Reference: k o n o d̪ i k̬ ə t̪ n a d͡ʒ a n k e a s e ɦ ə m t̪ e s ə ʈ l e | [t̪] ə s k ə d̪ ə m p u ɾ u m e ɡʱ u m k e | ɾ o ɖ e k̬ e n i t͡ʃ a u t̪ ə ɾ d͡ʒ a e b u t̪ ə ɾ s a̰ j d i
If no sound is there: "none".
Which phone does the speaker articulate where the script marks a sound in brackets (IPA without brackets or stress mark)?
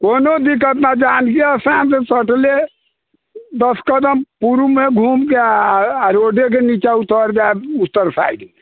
d̪